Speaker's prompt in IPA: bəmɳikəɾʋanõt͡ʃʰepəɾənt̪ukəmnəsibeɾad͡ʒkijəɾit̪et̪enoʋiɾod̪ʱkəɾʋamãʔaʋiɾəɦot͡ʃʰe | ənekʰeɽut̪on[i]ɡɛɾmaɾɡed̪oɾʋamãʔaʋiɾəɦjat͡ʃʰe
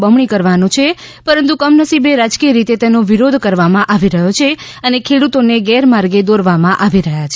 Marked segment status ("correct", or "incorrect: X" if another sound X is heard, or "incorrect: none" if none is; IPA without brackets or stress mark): incorrect: e